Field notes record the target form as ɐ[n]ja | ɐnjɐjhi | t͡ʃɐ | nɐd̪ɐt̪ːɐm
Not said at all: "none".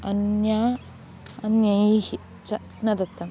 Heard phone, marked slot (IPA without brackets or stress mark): n